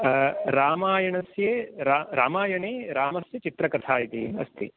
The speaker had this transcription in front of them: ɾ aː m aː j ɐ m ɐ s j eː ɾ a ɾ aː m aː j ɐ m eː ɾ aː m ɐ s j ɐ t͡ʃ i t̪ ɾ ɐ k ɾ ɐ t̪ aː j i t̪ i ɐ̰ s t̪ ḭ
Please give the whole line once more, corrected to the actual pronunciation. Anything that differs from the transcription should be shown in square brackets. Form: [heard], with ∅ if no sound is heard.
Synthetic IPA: ɾ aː m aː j ɐ [ɳ] ɐ s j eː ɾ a ɾ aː m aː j ɐ [ɳ] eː ɾ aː m ɐ s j ɐ t͡ʃ i t̪ ɾ ɐ k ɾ ɐ [t̪ʰ] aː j i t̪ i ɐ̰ s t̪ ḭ

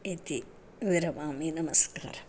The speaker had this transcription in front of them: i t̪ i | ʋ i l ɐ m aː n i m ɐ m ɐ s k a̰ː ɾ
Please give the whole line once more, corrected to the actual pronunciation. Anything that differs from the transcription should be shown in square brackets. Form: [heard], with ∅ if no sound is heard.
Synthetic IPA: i t̪ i | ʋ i [ɾ] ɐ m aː [m] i [n] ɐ m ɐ s k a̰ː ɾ

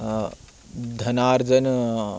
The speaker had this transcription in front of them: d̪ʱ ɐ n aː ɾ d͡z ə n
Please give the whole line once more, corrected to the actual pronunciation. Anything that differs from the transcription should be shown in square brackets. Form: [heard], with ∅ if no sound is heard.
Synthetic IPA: d̪ʱ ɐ n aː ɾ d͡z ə n

